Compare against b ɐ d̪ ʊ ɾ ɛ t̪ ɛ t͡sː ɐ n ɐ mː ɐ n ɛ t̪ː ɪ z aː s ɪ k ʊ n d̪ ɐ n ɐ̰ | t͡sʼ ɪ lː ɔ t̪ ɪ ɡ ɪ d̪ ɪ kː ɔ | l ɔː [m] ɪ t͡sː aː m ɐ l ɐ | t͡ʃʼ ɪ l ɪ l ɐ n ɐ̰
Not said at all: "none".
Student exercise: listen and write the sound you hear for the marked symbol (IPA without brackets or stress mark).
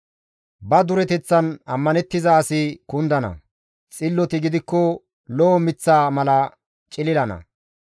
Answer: m